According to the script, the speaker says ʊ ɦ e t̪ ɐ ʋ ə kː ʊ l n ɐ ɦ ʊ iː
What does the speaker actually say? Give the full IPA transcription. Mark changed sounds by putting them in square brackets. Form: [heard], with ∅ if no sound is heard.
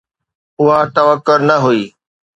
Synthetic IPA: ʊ ɦ [a] t̪ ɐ ʋ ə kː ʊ [ɾ] n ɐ ɦ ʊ iː